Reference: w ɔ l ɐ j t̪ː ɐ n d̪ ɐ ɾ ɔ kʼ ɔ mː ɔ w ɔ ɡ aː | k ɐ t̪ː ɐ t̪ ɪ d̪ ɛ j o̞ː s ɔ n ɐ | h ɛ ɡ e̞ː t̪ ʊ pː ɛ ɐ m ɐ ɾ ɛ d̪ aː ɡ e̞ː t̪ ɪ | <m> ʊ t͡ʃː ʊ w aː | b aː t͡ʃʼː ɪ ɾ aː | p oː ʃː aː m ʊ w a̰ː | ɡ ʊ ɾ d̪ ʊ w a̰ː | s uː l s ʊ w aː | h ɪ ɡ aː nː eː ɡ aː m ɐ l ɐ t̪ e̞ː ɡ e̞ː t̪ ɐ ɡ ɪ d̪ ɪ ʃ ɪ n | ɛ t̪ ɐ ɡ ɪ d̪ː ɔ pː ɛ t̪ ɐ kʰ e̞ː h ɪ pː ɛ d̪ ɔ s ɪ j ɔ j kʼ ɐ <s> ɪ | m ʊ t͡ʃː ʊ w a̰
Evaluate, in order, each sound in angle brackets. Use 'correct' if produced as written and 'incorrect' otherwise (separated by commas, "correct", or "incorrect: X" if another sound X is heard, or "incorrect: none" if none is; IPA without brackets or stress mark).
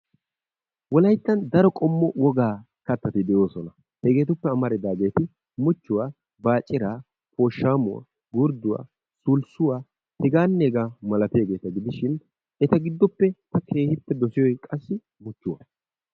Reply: correct, incorrect: sː